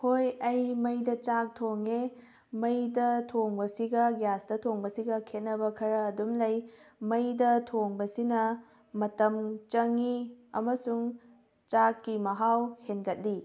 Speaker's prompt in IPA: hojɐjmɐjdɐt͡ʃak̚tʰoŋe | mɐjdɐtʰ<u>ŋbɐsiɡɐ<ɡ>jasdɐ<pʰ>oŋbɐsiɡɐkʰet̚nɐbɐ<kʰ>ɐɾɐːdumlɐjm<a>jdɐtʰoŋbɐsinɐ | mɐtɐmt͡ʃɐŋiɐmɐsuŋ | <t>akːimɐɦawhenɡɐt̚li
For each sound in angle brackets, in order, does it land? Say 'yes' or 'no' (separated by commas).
no, yes, no, yes, no, no